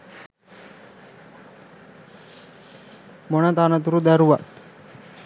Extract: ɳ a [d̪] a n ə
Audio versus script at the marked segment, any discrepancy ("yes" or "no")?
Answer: yes